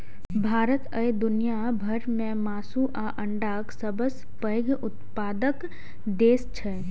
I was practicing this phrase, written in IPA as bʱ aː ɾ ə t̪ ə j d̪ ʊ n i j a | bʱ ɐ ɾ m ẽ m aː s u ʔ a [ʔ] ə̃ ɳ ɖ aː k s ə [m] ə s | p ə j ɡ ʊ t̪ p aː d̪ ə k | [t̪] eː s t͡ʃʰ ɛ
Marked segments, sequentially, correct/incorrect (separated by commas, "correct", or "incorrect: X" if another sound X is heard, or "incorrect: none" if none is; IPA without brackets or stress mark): correct, incorrect: b, incorrect: d̪